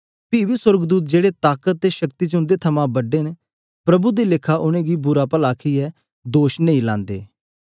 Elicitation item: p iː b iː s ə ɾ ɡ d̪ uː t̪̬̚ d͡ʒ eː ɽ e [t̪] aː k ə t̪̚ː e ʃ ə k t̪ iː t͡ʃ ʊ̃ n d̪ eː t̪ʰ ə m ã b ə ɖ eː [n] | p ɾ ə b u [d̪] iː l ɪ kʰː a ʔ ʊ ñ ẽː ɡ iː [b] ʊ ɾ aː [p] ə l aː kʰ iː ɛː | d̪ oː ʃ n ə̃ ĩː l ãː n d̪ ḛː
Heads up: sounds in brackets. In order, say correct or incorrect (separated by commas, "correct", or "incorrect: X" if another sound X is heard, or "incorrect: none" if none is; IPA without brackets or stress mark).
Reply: correct, correct, correct, correct, correct